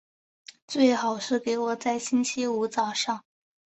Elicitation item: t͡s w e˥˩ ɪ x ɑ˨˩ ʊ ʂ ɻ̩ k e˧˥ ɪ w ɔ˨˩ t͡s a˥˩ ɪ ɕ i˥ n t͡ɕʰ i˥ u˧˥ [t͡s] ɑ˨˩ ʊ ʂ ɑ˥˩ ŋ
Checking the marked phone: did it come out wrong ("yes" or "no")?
no